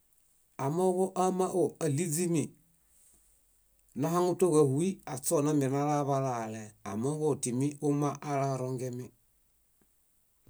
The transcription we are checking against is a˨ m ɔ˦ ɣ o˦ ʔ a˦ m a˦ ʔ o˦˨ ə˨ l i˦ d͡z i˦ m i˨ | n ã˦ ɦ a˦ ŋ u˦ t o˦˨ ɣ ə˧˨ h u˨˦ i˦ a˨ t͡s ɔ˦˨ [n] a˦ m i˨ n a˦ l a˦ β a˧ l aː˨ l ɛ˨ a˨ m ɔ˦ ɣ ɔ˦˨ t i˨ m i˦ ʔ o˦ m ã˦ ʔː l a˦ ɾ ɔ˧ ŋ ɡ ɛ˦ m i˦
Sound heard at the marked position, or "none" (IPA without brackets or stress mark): n